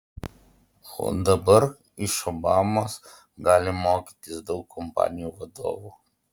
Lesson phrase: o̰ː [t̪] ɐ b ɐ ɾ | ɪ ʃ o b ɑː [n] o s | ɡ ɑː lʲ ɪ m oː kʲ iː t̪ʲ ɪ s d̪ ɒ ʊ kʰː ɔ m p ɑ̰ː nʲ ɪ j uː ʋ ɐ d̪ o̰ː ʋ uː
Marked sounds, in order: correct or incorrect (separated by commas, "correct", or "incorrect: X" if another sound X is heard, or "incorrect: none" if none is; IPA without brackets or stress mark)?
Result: incorrect: d̪, incorrect: m